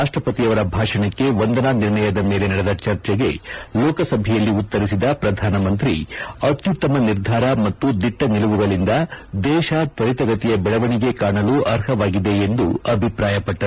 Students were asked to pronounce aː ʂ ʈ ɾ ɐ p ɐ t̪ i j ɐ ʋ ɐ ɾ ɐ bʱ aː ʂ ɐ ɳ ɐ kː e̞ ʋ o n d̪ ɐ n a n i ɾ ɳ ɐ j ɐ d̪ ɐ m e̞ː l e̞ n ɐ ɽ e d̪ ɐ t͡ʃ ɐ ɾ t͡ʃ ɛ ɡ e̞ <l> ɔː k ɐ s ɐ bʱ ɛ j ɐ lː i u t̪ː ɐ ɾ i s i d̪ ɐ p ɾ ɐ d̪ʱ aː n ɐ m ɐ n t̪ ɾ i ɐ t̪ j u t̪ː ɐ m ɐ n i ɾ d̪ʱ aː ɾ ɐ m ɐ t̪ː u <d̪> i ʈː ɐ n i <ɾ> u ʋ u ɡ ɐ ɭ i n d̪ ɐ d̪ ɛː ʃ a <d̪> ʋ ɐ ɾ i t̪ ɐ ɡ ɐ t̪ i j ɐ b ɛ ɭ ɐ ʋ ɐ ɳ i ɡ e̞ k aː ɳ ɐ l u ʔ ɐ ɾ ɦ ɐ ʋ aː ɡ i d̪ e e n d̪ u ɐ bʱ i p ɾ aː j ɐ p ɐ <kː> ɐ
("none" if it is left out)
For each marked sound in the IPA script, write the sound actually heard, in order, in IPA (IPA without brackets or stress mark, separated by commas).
l, d̪, l, t̪, ʈː